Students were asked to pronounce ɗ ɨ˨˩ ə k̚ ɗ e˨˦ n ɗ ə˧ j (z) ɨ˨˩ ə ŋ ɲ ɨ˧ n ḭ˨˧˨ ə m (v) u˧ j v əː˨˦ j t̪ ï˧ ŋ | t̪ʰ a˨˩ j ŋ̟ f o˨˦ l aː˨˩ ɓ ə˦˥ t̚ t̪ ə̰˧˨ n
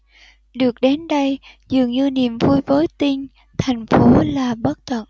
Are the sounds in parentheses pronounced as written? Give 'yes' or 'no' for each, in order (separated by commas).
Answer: yes, yes